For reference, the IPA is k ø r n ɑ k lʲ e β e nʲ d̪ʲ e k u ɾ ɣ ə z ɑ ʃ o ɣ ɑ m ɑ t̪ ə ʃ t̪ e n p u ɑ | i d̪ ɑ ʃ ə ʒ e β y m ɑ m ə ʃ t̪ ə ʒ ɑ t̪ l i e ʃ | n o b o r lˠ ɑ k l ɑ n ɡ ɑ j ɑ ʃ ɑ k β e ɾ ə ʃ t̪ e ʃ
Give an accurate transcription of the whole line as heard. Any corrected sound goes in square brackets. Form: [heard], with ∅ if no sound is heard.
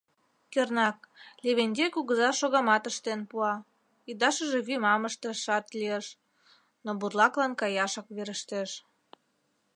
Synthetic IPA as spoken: k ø r n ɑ k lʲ e β e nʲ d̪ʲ e k u [∅] ɣ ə z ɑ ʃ o ɣ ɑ m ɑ t̪ ə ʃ t̪ e n p u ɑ | i d̪ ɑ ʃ ə ʒ e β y m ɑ m ə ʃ t̪ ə [ʃ] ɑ t̪ l i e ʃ | n o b [u] r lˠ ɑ k l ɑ n [k] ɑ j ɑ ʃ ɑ k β e ɾ ə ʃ t̪ e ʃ